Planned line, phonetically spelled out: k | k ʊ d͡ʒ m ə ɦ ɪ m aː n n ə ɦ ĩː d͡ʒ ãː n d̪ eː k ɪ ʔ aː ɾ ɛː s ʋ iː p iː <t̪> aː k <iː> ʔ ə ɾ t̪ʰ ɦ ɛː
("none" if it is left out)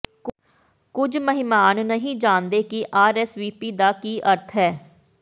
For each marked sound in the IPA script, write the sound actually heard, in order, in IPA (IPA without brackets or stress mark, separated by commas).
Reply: d̪, iː